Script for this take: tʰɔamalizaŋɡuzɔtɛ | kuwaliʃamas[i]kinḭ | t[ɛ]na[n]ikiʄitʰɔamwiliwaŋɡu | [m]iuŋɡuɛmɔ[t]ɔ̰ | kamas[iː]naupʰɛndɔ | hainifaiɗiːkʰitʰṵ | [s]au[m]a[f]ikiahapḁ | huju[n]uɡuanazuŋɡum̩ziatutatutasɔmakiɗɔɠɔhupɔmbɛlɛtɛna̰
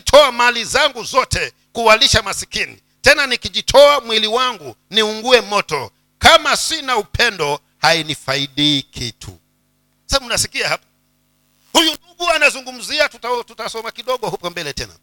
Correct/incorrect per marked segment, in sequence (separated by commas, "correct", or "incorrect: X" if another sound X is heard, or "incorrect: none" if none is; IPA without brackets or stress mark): correct, correct, correct, incorrect: n, correct, incorrect: i, correct, incorrect: n, incorrect: s, correct